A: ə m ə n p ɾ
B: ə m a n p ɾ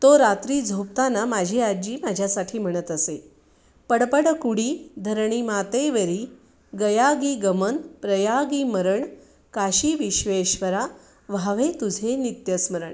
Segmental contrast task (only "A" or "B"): A